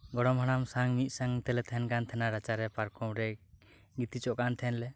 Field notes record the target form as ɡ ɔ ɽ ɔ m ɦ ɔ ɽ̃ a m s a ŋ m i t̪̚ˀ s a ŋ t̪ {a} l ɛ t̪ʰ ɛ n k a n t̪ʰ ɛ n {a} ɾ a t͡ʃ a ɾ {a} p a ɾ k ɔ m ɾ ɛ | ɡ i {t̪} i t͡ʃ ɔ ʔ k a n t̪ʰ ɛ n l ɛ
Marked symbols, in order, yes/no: no, yes, no, yes

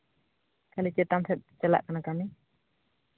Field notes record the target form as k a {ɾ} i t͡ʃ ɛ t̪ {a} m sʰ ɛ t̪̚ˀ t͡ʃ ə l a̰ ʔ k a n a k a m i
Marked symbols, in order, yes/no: no, yes

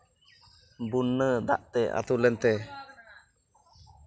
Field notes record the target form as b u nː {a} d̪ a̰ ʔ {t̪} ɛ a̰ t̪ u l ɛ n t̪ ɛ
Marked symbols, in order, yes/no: no, yes

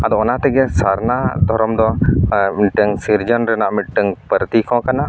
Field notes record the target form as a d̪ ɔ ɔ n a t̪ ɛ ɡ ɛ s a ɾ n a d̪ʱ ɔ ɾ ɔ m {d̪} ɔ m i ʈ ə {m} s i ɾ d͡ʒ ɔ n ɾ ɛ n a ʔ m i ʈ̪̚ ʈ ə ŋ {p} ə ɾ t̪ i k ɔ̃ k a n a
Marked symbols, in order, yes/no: yes, no, yes

